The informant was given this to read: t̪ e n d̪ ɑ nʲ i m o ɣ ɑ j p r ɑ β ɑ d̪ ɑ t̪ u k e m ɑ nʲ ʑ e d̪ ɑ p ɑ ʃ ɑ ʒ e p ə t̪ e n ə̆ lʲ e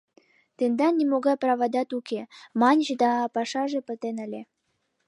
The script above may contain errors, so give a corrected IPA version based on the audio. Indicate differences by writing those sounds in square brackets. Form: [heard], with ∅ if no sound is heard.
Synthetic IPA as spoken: t̪ e n d̪ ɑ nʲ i m o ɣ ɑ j p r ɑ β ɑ d̪ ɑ t̪ u k e m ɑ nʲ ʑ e d̪ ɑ p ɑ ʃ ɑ ʒ e p ə t̪ e n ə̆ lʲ e